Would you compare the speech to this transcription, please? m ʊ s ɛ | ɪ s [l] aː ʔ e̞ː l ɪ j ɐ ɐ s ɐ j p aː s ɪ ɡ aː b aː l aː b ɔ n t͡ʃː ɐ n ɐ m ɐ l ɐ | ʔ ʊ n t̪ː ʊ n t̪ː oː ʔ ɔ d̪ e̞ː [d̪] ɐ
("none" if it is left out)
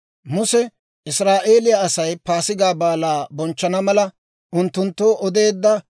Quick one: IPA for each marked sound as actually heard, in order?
ɾ, d̪ː

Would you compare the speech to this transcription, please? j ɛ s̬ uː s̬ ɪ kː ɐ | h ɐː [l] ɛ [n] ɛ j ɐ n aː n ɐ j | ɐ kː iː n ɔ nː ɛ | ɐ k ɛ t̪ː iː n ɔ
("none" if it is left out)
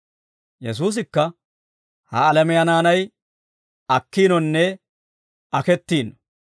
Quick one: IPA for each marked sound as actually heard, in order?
l, m

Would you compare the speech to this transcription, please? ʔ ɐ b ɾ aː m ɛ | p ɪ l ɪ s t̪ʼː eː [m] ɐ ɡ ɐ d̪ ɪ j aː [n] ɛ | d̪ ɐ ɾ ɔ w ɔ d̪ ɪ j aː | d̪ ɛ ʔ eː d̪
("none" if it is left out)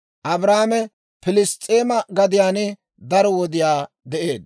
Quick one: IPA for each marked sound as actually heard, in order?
m, n

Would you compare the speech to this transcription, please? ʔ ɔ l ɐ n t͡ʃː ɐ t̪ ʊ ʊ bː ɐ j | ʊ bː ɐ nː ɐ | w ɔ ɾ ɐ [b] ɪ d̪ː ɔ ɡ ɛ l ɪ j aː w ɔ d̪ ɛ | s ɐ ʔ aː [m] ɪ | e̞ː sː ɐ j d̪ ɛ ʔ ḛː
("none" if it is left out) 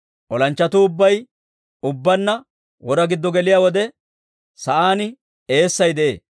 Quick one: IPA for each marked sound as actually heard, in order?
ɡ, n

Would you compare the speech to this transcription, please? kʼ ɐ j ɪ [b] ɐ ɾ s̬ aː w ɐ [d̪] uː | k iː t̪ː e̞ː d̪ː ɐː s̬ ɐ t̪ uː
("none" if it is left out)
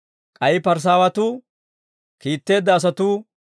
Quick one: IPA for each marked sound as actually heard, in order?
p, t̪

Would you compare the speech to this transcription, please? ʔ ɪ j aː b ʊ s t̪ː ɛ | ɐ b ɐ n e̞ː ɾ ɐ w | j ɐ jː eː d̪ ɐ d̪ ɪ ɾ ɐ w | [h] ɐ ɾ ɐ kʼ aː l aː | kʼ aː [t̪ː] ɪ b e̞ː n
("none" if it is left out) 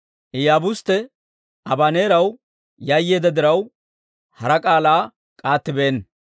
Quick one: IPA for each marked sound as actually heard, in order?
h, t̪ː

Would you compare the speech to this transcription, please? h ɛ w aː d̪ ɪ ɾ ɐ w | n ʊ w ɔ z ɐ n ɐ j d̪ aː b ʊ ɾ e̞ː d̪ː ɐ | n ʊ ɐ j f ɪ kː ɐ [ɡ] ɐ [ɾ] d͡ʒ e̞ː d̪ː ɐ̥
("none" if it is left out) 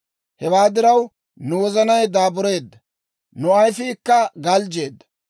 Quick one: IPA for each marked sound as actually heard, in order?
ɡ, l

